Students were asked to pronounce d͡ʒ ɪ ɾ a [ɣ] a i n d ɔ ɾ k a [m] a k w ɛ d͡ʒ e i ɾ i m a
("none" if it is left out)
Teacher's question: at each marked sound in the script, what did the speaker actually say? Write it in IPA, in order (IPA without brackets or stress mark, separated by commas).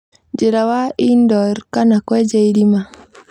w, n